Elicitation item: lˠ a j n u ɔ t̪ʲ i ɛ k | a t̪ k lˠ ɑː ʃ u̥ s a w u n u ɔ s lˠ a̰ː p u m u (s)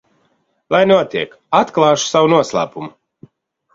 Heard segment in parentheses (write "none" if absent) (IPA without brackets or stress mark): none